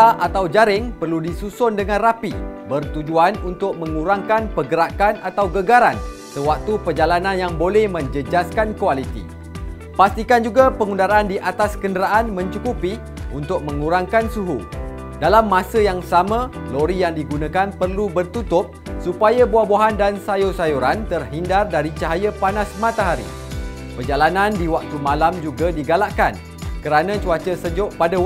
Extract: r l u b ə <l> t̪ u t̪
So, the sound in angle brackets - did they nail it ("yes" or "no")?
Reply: no